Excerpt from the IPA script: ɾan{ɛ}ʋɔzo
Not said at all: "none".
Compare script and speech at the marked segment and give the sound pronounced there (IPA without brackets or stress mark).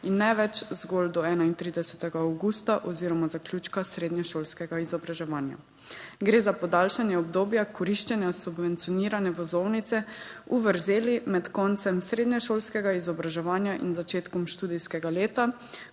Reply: ɛ